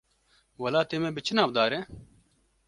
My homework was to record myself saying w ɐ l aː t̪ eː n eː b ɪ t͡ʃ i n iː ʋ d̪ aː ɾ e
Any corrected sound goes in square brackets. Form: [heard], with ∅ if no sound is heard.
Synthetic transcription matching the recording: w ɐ l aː t̪ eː [m] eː b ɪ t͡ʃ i n [aː] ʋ d̪ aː ɾ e